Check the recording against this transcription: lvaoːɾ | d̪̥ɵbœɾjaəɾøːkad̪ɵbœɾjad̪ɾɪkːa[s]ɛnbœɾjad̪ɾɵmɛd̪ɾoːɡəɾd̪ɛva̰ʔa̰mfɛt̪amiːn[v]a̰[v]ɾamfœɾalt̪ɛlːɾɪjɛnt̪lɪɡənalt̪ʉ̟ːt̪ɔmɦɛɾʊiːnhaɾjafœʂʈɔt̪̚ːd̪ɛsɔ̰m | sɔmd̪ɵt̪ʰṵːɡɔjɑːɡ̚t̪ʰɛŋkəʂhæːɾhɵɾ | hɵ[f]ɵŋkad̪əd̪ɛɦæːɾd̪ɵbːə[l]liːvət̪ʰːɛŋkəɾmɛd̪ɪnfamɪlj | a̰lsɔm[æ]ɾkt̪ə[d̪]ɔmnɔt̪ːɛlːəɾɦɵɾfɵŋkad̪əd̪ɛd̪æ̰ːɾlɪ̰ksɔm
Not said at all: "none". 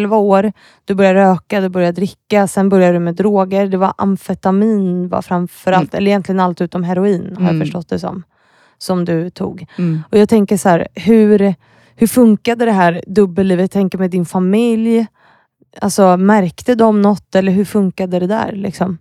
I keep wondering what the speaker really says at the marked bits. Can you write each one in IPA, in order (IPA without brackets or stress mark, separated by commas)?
s, v, f, f, l, æ, d̪